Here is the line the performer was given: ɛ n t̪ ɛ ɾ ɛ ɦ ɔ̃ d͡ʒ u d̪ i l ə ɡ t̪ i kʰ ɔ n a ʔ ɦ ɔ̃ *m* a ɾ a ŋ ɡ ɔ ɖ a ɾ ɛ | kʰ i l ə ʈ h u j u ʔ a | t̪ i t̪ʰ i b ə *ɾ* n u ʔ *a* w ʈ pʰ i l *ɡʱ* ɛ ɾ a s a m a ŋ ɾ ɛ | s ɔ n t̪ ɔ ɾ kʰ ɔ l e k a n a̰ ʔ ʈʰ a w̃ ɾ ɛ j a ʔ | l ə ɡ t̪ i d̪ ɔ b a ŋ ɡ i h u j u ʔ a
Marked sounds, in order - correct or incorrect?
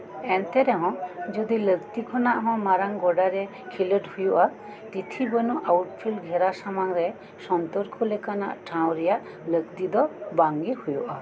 correct, incorrect: none, correct, correct

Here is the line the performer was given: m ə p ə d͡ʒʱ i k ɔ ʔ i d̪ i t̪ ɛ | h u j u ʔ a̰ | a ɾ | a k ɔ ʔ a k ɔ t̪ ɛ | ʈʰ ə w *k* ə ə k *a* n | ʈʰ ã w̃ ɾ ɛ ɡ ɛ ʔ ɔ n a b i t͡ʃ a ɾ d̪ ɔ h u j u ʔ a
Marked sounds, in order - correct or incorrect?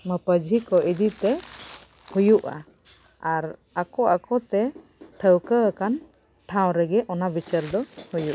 correct, correct

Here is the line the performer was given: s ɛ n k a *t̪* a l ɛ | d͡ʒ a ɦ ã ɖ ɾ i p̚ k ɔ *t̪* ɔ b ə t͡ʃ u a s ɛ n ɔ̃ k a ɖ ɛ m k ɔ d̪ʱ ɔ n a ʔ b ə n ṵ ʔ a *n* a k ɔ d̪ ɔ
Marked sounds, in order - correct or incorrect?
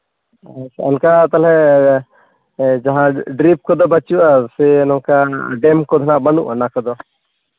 correct, incorrect: d̪, correct

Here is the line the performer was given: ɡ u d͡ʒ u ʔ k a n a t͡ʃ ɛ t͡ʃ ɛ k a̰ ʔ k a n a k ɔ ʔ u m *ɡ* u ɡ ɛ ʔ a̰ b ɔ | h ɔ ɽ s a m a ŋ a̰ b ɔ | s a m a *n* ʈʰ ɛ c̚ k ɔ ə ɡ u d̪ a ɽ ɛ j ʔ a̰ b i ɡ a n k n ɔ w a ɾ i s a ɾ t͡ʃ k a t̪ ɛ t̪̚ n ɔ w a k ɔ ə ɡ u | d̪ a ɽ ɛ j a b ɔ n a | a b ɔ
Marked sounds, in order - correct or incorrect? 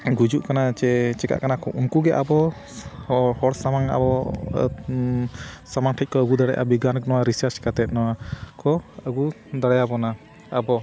incorrect: k, incorrect: ŋ

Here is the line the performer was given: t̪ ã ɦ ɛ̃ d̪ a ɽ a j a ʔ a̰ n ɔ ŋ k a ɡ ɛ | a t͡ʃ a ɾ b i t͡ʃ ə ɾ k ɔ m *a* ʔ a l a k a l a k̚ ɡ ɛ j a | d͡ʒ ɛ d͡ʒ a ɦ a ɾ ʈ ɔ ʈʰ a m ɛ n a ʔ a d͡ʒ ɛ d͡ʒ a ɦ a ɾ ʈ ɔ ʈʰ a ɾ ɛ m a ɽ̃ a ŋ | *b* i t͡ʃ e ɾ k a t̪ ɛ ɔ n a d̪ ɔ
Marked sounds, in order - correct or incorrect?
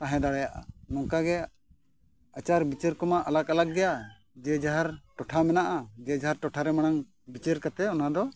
correct, correct

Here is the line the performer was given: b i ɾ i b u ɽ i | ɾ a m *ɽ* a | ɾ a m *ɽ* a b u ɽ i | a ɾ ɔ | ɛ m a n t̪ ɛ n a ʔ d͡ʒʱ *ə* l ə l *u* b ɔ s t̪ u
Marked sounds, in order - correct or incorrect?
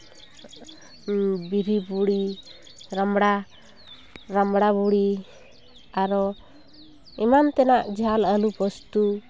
correct, correct, incorrect: a, correct

